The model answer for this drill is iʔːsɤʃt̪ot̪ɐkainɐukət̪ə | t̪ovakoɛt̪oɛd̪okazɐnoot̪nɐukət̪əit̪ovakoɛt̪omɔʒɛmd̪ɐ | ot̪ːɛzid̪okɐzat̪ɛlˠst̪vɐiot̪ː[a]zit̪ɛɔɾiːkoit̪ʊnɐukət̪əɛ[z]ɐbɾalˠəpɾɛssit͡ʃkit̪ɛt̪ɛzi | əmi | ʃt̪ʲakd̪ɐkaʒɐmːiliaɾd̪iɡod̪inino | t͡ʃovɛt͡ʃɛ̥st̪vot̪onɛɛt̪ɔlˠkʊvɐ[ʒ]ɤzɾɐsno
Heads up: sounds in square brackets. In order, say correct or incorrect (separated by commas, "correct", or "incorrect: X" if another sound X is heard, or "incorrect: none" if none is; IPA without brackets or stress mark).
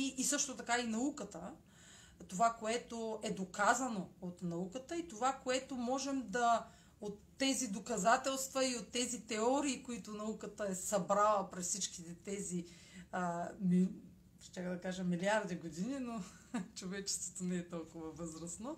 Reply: incorrect: ɛ, incorrect: s, incorrect: v